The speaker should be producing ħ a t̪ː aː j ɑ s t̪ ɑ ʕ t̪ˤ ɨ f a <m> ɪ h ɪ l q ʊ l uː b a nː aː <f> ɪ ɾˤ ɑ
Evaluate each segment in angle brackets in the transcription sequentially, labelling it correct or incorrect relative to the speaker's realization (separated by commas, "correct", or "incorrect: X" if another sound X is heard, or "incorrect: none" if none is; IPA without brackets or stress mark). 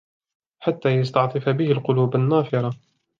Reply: incorrect: b, correct